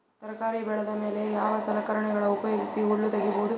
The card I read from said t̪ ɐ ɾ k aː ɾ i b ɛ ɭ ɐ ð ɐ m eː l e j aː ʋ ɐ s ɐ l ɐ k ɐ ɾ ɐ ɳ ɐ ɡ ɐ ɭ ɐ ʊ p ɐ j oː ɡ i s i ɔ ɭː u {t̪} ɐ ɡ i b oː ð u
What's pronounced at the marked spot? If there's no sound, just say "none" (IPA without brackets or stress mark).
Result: t̪